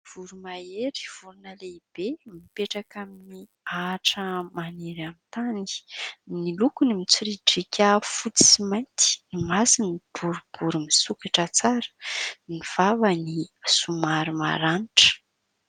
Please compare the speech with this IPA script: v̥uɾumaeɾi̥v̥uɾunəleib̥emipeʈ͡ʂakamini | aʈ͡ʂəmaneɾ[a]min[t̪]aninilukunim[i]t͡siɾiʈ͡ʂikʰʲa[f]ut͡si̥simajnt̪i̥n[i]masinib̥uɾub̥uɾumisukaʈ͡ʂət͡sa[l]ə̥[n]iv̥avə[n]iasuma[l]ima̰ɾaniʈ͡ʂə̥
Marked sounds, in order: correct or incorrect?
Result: correct, correct, correct, correct, correct, incorrect, correct, correct, incorrect

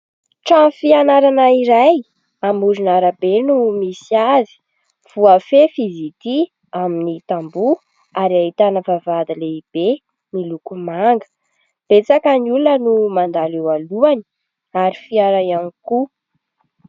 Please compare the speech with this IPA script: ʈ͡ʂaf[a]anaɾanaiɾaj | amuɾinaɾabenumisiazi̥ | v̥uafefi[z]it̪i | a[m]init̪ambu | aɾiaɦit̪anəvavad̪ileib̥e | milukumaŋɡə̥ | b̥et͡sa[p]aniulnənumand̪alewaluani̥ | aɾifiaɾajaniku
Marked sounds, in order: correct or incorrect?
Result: incorrect, correct, correct, incorrect

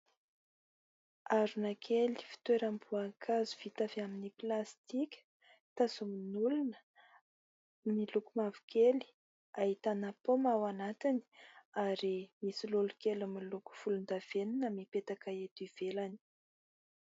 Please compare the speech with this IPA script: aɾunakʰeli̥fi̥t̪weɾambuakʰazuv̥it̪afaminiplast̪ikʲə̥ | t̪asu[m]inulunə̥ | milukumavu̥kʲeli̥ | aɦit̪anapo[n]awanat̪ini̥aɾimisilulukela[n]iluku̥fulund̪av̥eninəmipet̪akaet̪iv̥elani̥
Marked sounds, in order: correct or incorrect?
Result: correct, incorrect, incorrect

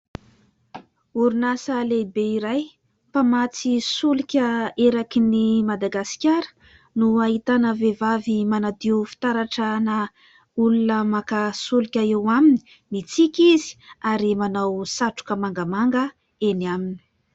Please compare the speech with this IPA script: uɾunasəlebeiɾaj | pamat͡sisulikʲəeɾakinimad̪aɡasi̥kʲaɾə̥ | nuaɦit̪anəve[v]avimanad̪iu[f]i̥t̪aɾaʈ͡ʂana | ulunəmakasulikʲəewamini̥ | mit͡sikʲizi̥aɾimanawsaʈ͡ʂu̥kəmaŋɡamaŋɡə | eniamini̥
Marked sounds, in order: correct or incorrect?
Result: correct, correct

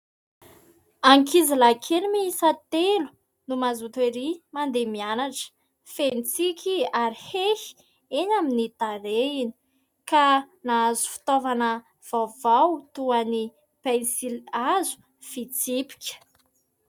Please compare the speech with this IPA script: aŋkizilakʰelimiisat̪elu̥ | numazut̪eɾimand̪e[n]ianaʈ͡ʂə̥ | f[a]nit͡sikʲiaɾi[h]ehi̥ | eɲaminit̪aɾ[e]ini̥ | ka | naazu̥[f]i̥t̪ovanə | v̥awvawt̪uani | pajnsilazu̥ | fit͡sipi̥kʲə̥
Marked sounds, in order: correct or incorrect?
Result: incorrect, incorrect, correct, correct, correct

